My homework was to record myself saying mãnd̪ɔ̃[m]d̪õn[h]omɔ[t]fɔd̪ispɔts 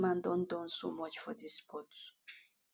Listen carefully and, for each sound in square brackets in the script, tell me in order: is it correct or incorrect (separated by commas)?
incorrect, incorrect, incorrect